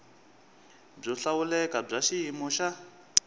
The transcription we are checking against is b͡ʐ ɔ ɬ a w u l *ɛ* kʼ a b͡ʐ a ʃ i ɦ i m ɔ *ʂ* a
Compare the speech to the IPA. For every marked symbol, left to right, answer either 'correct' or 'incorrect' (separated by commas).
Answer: correct, incorrect